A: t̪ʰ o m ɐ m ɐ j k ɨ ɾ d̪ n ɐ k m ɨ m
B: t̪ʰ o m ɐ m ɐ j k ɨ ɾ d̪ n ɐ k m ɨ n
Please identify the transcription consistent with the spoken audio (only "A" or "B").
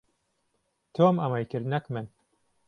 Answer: B